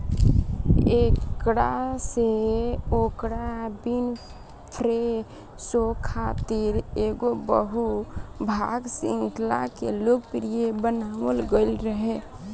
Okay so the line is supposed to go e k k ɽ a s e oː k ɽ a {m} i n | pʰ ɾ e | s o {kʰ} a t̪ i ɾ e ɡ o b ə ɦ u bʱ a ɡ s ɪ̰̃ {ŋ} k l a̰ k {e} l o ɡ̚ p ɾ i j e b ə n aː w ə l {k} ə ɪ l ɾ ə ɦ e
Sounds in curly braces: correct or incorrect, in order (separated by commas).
incorrect, correct, correct, correct, incorrect